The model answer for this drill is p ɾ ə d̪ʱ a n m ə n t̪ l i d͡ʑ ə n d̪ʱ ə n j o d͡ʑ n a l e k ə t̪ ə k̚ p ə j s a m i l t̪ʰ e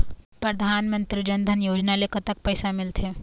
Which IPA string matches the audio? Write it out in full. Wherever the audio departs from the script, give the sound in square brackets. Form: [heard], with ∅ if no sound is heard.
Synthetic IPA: p ɾ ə d̪ʱ a n m ə n t̪ [ɾ] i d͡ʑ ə n d̪ʱ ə n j o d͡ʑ n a l e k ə t̪ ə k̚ p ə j s a m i l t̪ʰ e

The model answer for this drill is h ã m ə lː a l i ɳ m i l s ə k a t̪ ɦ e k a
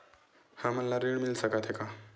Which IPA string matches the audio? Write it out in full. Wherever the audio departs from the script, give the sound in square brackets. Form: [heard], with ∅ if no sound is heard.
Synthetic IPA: h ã m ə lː a [ɾ] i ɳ m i l s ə k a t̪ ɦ e k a

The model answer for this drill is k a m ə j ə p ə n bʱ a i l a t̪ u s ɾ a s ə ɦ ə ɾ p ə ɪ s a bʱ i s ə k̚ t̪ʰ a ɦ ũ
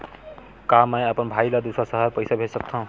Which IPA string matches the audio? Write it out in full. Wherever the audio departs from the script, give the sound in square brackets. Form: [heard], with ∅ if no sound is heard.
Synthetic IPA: k a m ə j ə p ə n bʱ a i l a [d̪] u s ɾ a s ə ɦ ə ɾ p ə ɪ s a bʱ [e] s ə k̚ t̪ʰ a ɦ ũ

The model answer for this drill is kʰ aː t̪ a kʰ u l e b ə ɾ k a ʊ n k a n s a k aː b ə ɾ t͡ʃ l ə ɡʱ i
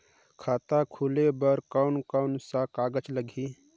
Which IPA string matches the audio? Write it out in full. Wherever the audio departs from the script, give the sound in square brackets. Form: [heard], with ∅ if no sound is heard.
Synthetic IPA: kʰ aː t̪ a kʰ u l e b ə ɾ k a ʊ n k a n s a k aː [ɡ] ə [∅] t͡ʃ l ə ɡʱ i

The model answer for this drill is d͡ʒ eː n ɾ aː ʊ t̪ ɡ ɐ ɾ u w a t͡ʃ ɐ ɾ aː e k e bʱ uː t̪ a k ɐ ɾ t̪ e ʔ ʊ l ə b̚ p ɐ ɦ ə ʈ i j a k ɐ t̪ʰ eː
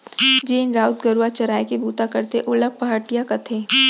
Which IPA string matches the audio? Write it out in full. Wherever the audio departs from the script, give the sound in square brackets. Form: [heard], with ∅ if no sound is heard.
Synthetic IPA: d͡ʒ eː n ɾ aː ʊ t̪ ɡ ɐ ɾ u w a t͡ʃ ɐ ɾ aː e k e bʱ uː t̪ a k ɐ ɾ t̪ e ʔ ʊ l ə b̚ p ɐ ɦ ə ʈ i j a k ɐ t̪ʰ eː

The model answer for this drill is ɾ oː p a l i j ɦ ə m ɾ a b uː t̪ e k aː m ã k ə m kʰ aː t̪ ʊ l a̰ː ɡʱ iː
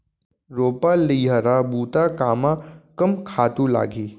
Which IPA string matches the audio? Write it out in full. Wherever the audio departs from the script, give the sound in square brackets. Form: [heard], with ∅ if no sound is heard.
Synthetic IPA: ɾ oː p a l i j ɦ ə [∅] ɾ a b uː t̪ [a] k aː m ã k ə m kʰ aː t̪ [u] l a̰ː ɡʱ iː

